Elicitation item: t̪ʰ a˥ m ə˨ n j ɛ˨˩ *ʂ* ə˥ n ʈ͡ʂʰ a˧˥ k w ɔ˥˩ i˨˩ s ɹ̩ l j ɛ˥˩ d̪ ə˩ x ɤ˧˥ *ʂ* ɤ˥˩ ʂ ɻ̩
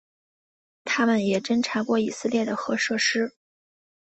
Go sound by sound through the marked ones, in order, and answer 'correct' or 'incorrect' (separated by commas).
incorrect, correct